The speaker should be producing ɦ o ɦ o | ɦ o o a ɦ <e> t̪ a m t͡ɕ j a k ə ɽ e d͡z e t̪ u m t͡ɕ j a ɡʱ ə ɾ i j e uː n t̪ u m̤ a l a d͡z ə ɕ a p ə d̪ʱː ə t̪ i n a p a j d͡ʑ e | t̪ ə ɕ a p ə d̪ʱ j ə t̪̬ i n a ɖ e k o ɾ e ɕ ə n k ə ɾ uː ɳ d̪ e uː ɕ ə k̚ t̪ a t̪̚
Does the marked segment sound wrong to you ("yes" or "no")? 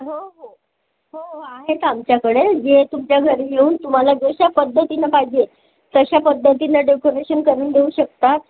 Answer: no